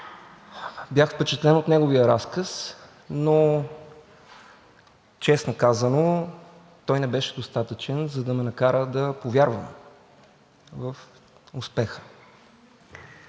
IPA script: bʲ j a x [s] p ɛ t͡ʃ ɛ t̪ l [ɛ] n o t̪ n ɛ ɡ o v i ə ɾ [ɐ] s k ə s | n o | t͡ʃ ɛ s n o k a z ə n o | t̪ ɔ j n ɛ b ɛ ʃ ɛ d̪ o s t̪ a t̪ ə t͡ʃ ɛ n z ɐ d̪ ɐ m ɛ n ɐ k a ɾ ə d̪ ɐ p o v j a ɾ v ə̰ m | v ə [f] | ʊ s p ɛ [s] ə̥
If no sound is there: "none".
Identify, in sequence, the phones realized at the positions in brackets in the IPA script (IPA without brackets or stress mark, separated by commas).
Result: f, ɛ, a, f, x